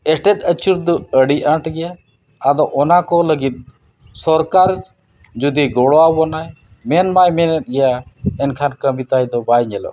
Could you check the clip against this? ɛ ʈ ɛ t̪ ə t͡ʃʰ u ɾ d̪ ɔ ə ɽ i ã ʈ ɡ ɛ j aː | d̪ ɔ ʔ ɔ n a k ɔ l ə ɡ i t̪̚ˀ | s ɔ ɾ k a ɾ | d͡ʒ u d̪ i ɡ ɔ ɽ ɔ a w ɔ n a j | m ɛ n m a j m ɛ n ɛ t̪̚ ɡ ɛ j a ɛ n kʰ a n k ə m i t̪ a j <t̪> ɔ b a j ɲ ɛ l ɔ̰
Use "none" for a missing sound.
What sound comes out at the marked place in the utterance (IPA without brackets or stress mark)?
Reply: d̪